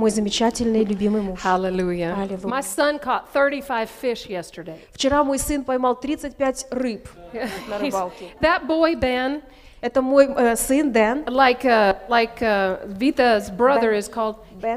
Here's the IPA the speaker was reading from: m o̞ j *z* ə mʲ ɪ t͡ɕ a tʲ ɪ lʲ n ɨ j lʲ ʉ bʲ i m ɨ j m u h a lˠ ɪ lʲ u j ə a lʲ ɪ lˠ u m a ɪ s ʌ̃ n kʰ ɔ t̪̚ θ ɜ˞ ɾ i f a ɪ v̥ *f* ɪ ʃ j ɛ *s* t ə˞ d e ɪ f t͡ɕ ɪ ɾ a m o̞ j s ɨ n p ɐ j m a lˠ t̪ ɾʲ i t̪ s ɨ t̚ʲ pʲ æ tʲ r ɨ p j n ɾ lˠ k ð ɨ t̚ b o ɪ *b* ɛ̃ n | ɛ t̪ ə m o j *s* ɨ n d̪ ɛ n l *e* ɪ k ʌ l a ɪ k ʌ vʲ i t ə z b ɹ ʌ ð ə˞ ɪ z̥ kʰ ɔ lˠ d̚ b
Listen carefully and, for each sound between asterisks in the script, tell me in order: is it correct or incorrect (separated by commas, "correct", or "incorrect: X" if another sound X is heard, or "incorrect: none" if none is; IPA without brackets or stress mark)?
correct, correct, correct, correct, correct, incorrect: a